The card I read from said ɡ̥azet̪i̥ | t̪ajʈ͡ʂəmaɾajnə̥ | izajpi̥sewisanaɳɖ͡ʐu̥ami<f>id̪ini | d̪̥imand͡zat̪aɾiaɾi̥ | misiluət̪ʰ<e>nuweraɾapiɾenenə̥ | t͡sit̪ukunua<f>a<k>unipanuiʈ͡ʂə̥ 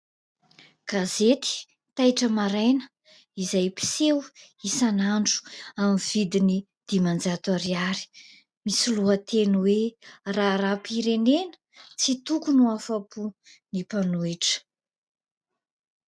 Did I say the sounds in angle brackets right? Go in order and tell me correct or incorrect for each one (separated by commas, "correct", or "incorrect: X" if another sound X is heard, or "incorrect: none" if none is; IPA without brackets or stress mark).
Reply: incorrect: v, correct, correct, incorrect: p